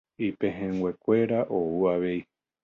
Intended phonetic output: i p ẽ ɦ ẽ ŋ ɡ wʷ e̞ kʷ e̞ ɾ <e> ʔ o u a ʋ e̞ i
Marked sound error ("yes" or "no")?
yes